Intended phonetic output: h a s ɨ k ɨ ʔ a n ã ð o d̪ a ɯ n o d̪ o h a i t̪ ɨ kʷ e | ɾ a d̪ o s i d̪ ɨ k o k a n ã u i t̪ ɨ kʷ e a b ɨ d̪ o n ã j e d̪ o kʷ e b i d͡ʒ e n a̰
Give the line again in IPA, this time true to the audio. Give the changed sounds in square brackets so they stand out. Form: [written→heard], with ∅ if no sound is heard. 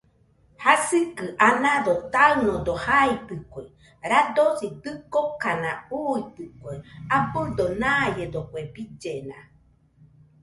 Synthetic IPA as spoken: h a s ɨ k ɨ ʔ a n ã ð o [d̪→t̪] a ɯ n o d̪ o h a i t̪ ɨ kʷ e | ɾ a d̪ o s i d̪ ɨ k o k a n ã u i t̪ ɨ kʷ e a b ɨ d̪ o n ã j e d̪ o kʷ e b i d͡ʒ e n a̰